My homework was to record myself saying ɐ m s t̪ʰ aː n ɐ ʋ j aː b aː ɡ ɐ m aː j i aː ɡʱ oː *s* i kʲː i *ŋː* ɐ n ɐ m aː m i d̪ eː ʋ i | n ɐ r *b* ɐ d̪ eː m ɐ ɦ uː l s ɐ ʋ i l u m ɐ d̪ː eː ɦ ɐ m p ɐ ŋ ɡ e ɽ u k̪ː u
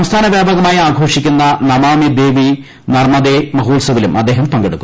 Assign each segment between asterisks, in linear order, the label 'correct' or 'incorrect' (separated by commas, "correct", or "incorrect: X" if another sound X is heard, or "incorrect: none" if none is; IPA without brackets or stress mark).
incorrect: ʂ, incorrect: nː, incorrect: m